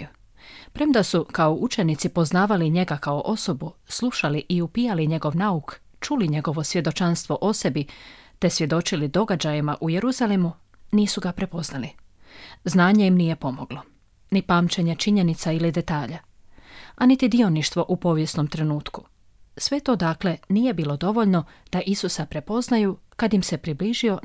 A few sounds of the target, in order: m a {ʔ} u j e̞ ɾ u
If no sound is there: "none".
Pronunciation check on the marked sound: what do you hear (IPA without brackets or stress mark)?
ʔ